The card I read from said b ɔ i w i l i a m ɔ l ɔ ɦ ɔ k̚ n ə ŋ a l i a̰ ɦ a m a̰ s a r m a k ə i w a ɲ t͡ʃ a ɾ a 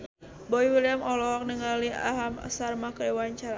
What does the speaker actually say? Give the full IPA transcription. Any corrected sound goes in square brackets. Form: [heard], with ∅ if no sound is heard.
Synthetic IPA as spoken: b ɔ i w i l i a m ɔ l ɔ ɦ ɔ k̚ n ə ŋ a l i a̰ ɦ a m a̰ s a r m a k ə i w a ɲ t͡ʃ a ɾ a